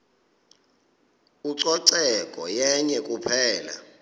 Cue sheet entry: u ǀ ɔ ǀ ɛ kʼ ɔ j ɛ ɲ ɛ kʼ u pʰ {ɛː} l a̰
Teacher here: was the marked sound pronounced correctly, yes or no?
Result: yes